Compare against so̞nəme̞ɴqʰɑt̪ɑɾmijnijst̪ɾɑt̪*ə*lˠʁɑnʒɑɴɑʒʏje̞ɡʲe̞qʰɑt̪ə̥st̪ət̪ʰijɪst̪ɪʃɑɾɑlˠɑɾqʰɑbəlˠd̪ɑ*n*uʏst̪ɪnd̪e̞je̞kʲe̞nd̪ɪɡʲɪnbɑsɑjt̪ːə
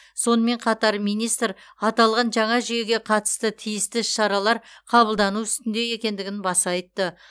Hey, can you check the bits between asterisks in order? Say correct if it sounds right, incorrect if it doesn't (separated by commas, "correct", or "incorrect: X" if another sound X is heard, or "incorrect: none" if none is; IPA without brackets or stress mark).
incorrect: ɑ, correct